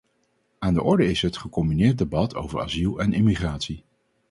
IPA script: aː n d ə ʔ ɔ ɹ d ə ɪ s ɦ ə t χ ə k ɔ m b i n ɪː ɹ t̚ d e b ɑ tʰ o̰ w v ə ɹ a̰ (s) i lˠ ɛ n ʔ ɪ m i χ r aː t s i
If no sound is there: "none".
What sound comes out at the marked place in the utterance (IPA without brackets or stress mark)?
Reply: z